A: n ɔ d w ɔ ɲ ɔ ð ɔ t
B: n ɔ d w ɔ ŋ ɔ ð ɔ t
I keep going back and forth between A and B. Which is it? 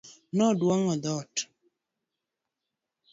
B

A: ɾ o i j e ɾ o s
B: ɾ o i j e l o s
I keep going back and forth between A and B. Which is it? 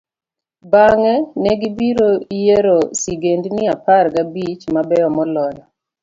A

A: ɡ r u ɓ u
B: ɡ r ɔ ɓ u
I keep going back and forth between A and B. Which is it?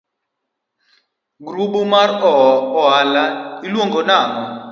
A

